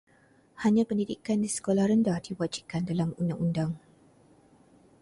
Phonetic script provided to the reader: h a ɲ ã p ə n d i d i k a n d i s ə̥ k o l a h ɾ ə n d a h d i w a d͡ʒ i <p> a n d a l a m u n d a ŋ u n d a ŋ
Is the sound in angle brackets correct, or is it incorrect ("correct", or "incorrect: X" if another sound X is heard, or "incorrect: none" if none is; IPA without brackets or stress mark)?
incorrect: k